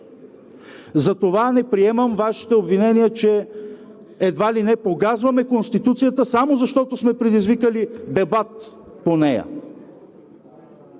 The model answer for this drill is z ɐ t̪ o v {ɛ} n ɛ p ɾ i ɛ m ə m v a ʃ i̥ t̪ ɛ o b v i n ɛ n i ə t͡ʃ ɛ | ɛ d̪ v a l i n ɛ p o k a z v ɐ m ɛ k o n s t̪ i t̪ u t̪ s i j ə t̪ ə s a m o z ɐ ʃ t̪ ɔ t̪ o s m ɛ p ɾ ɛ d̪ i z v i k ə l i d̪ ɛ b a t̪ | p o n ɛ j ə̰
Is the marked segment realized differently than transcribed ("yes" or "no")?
yes